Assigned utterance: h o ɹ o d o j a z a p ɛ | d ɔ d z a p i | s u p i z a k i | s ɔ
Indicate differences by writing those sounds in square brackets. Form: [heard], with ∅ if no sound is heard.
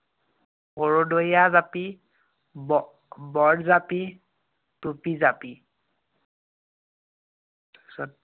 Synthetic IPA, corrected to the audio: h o ɹ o d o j a z a p [i] | [b] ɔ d z a p i | [t] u p i z a [p] i | s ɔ